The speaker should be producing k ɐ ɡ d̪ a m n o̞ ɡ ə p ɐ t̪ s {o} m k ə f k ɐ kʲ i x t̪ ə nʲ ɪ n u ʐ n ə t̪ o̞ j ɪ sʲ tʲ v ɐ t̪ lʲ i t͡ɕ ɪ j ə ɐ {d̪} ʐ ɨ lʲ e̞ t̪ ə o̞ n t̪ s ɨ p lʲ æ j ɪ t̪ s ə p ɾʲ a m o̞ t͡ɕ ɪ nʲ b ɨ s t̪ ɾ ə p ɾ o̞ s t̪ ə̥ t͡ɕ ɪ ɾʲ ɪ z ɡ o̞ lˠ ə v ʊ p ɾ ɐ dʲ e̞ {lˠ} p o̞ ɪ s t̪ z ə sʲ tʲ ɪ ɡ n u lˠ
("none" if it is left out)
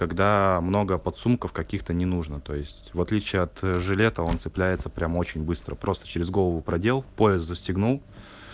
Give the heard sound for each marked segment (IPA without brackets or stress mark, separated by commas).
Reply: u, t̪, lˠ